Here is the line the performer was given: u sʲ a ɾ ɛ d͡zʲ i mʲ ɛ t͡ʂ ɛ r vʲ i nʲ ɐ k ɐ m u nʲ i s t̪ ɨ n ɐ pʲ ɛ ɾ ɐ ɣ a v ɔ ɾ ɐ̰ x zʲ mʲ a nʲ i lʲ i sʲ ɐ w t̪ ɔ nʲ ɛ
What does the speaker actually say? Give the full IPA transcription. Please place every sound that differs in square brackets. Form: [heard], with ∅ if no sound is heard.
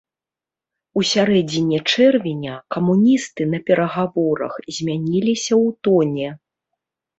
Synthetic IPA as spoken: u sʲ a ɾ ɛ d͡zʲ i [nʲ] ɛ t͡ʂ ɛ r vʲ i nʲ ɐ k ɐ m u nʲ i s t̪ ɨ n ɐ pʲ ɛ ɾ ɐ ɣ a v ɔ ɾ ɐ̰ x zʲ mʲ a nʲ i lʲ i sʲ ɐ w t̪ ɔ nʲ ɛ